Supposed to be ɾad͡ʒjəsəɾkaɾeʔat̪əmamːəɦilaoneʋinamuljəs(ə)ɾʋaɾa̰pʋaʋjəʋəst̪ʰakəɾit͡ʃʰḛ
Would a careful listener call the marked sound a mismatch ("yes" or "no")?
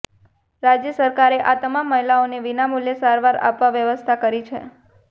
yes